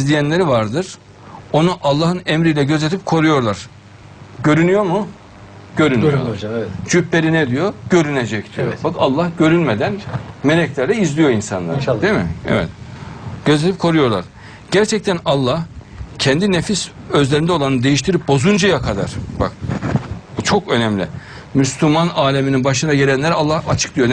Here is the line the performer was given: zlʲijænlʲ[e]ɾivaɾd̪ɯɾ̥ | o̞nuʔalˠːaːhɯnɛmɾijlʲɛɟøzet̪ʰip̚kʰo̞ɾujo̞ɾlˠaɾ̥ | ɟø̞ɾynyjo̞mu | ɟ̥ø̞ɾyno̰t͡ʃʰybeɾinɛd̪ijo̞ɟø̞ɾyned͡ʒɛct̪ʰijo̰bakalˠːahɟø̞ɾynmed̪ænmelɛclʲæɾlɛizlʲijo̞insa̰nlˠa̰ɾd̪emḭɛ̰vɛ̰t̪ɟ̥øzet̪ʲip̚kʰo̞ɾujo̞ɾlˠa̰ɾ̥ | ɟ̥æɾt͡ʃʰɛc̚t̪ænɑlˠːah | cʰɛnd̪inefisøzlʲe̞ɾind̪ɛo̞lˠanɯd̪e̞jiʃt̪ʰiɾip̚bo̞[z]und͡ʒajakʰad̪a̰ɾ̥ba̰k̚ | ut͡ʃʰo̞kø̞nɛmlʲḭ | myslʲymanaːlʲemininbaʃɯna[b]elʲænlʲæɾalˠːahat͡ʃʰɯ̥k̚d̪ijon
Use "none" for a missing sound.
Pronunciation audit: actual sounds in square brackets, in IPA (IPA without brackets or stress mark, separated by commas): e, z, ɟ